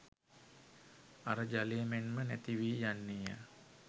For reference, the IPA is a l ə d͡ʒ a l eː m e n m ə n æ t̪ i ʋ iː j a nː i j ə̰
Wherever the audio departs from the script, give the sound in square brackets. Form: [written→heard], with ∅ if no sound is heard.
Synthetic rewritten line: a [l→ɾ] ə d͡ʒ a l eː m e n m ə n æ t̪ i ʋ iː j a nː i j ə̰